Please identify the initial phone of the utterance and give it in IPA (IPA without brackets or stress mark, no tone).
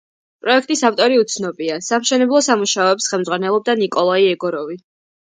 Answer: pʼ